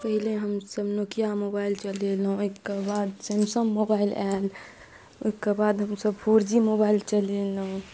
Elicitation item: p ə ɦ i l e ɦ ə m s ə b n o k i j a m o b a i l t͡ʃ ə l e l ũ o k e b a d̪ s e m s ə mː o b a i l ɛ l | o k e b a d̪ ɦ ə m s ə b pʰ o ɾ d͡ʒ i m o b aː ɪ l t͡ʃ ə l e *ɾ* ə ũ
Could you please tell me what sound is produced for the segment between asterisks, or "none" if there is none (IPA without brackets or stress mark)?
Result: l